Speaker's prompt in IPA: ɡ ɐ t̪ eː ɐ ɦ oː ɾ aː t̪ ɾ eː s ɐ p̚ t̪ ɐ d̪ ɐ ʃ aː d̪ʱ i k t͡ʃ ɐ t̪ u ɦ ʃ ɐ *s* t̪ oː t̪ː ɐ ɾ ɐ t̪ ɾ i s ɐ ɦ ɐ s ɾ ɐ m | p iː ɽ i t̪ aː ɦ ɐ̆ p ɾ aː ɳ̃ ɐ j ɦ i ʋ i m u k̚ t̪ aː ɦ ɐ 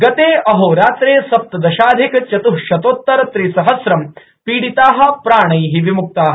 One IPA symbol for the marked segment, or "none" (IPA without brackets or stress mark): none